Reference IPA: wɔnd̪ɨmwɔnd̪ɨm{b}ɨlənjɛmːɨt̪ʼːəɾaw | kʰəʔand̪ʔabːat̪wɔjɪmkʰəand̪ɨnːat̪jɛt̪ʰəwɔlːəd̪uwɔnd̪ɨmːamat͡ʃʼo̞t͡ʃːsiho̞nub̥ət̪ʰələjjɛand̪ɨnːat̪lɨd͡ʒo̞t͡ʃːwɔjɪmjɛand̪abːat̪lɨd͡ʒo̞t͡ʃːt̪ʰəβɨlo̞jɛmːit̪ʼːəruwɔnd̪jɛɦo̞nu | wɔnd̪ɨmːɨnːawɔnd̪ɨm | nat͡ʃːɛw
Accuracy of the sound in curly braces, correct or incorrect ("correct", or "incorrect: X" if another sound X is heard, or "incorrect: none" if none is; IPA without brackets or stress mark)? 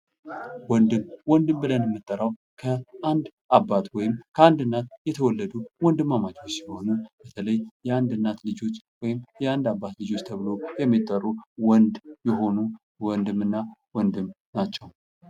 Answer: correct